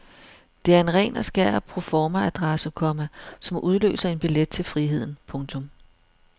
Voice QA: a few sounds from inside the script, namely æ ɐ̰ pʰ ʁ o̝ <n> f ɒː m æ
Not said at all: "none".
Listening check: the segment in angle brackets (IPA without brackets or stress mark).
none